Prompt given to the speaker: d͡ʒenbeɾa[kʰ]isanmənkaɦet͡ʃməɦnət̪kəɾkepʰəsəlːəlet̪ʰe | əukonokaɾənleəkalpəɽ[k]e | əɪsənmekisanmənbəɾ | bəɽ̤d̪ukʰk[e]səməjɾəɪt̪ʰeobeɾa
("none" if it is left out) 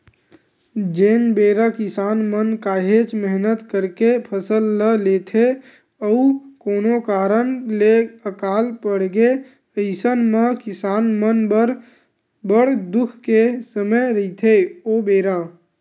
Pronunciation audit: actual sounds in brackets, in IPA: k, ɡ, e

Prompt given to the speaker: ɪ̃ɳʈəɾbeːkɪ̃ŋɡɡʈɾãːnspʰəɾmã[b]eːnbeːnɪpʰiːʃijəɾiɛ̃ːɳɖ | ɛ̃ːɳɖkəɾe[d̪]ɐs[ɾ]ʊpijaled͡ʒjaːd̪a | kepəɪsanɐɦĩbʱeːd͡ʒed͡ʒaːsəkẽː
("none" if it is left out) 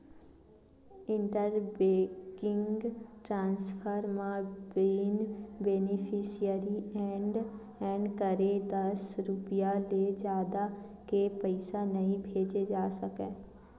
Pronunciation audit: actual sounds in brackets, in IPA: b, d̪, ɾ

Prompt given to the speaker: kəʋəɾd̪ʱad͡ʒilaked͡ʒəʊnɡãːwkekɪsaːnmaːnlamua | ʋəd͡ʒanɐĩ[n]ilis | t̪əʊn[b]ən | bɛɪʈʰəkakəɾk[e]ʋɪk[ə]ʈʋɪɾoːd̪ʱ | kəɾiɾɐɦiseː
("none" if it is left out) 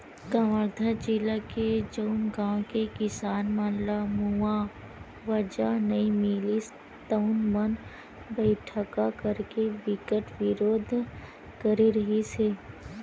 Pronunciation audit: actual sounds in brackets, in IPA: m, m, e, ə

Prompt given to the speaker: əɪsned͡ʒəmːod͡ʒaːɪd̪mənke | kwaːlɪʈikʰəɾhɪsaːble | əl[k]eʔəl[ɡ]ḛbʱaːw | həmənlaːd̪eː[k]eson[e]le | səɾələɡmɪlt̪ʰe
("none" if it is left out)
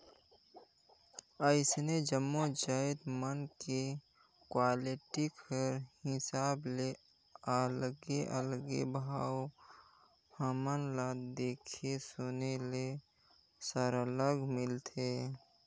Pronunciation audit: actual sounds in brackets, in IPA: ɡ, ɡ, kʰ, e

